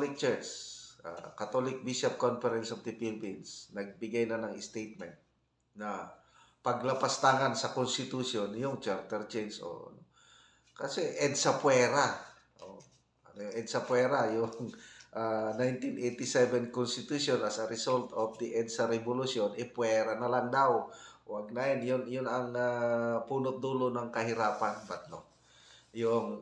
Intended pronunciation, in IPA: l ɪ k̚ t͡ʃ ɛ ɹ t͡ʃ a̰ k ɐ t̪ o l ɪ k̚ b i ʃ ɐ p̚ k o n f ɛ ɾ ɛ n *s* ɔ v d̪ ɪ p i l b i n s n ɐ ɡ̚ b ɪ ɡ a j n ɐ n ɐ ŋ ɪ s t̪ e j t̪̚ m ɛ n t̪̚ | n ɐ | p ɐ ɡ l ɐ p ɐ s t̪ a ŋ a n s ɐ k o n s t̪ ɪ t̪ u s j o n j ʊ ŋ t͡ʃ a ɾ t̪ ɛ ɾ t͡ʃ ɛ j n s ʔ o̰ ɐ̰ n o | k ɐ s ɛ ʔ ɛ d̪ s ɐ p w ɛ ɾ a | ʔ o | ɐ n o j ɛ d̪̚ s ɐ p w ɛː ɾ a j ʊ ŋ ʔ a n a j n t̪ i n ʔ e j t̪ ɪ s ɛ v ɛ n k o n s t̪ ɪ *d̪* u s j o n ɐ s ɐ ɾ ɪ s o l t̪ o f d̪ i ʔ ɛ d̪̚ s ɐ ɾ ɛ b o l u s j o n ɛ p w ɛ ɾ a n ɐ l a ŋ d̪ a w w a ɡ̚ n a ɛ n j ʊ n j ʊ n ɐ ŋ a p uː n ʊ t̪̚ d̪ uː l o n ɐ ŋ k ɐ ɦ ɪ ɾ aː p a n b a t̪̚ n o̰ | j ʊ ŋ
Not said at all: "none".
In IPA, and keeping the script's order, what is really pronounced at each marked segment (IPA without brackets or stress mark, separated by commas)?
s, t̪